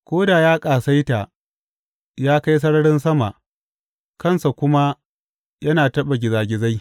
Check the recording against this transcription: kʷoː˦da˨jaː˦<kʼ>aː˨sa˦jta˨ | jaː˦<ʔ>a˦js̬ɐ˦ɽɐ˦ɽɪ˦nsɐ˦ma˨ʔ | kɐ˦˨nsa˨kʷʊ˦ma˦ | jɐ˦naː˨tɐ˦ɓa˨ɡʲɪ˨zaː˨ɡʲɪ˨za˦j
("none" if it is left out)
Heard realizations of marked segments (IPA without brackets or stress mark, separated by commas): kʼ, k